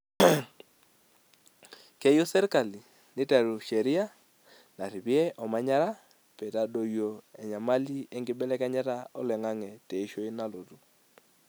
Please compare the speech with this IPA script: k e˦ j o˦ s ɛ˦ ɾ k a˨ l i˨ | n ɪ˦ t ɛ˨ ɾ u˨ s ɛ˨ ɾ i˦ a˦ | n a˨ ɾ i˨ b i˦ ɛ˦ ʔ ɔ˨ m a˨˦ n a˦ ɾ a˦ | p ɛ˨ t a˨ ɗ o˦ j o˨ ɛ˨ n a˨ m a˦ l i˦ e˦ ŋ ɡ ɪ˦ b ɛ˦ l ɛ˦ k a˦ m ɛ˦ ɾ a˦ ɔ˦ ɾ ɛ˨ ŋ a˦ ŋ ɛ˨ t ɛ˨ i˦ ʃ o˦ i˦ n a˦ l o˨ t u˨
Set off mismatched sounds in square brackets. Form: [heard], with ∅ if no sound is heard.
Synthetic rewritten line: k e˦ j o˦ s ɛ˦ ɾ k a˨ l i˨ | n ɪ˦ t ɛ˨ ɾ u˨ [ʃ] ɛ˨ ɾ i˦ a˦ | n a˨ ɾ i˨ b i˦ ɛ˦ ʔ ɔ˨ m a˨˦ [ɲ] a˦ ɾ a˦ | p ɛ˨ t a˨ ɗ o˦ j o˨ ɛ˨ [ɲ] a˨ m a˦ l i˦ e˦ ŋ ɡ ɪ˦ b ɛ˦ l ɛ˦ k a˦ [ɲ] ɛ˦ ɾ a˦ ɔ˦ [l] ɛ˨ ŋ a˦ ŋ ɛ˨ t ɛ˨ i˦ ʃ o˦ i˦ n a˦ l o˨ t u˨